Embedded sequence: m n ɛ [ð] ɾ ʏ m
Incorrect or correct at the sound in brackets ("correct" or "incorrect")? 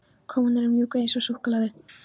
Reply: incorrect